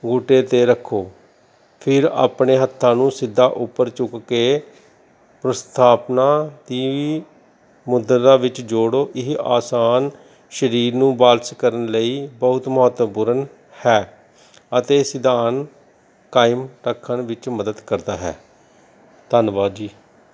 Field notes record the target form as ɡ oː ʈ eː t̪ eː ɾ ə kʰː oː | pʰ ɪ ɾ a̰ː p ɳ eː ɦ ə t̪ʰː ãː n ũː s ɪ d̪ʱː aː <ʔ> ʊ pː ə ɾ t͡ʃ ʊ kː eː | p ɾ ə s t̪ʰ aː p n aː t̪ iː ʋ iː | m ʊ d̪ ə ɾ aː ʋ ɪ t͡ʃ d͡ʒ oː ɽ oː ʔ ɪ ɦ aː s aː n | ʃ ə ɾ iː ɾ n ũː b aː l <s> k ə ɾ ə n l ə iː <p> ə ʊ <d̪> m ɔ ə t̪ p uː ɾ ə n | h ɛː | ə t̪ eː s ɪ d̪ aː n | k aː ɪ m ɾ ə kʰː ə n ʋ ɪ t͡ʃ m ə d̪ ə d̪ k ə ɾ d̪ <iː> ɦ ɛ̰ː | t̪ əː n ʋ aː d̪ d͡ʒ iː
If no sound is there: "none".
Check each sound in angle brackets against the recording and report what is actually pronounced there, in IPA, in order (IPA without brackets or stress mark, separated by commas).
ʔ, s, b, t̪, aː